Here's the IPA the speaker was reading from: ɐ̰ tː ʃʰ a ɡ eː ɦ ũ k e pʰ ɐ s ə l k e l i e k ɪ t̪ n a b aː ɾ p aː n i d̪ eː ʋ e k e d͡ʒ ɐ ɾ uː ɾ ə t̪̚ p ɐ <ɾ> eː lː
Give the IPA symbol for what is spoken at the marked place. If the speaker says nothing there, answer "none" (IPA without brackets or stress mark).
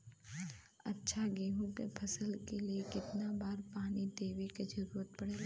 ɽ